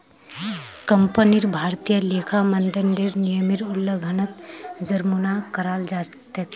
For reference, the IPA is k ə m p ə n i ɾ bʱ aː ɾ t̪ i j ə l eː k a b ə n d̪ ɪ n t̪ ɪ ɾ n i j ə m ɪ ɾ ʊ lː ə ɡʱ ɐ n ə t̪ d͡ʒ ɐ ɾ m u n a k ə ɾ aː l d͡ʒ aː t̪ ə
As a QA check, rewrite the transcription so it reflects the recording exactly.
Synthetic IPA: k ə m p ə n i ɾ bʱ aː ɾ t̪ i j ə l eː kʰ a m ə n d̪ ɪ n d̪ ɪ ɾ n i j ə m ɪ ɾ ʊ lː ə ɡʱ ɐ n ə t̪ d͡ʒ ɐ ɾ m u n a k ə ɾ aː l d͡ʒ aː t̪ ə